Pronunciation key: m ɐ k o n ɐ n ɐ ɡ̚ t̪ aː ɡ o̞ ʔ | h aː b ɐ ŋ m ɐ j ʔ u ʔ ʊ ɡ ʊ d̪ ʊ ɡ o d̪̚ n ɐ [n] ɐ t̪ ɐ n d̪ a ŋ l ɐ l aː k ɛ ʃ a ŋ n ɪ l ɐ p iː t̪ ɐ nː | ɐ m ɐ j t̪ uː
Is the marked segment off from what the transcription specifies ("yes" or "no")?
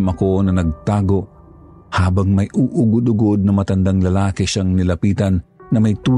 yes